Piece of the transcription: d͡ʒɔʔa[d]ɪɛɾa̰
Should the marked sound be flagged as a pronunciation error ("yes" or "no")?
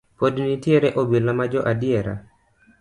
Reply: no